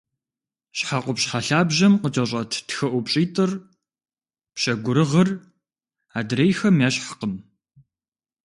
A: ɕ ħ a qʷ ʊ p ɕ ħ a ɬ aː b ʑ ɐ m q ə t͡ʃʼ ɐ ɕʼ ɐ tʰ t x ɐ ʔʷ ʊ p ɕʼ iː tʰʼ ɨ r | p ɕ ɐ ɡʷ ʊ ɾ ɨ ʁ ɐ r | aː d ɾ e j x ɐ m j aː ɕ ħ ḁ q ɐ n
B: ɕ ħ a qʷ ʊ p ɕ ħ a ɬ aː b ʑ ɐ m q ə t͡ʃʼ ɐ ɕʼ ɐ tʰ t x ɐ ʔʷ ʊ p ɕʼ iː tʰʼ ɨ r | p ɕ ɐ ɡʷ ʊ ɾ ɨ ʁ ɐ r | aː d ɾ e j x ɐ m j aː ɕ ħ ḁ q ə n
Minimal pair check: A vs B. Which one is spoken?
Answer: B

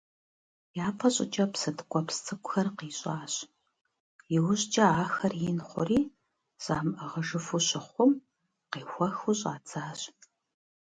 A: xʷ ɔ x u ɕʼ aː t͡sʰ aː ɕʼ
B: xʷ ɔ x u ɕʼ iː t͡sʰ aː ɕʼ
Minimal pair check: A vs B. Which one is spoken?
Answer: A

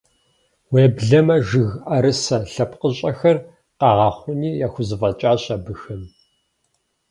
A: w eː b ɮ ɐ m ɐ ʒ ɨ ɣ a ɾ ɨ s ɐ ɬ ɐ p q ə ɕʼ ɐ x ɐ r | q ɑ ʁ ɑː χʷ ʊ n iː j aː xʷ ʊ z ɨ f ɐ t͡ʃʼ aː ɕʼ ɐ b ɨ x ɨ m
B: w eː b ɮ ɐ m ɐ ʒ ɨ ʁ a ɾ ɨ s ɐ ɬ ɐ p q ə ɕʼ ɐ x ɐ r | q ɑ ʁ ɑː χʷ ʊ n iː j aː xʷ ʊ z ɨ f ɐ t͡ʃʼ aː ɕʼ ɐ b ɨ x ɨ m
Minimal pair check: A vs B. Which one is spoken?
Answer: A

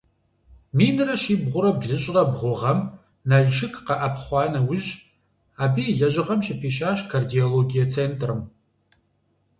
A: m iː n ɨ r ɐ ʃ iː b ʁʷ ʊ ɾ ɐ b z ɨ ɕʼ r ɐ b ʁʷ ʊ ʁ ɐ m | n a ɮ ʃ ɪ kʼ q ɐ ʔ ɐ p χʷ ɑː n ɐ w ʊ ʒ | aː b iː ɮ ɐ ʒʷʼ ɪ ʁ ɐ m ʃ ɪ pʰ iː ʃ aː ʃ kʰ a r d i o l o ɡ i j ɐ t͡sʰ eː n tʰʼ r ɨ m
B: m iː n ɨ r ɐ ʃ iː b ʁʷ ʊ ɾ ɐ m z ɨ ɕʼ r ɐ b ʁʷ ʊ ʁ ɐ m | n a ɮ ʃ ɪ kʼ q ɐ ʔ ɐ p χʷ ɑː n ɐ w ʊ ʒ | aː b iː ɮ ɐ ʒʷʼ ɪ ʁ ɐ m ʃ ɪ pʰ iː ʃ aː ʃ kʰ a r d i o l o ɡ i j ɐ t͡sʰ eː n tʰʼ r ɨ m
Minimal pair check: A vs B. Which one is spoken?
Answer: A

